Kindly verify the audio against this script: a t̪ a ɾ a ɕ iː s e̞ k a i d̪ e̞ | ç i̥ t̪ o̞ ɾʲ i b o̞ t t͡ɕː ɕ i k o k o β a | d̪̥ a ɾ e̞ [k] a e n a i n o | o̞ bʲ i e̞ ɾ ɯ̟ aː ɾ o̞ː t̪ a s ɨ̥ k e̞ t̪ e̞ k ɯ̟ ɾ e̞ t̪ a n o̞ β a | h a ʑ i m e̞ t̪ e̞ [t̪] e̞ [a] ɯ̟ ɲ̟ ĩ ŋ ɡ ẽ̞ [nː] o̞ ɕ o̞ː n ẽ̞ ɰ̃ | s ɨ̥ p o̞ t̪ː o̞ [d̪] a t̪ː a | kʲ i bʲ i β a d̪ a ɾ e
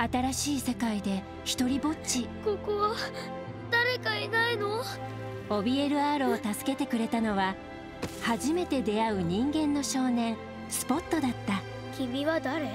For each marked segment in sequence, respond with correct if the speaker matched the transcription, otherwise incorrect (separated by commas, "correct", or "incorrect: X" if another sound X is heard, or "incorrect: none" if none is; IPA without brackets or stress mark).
correct, incorrect: d̪, correct, correct, correct